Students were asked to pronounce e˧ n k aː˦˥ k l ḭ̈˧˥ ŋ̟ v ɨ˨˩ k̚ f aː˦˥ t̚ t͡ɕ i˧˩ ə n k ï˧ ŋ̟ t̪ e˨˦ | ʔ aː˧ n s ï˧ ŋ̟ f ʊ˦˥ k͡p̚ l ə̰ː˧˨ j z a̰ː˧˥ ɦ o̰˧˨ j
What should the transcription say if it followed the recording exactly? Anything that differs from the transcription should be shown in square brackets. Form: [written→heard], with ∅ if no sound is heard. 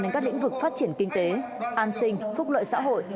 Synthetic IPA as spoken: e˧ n k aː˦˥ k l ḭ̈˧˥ ŋ̟ v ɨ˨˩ k̚ f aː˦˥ t̚ t͡ɕ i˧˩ ə n k ï˧ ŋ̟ t̪ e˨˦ | ʔ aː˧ n s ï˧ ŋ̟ f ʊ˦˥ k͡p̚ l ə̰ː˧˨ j [z→s] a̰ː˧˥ ɦ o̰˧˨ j